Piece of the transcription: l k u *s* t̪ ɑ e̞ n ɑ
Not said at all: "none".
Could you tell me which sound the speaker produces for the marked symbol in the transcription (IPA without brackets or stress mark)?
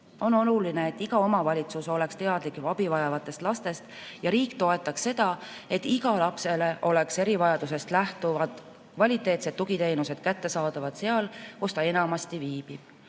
s